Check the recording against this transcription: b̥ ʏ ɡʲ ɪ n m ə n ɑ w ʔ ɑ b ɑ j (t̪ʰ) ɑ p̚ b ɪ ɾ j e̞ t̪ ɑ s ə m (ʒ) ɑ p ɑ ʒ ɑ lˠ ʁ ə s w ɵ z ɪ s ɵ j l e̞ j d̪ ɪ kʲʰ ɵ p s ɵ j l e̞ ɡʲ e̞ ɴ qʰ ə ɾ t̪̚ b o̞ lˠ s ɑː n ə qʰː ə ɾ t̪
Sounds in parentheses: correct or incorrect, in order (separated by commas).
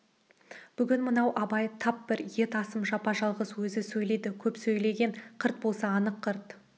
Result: correct, correct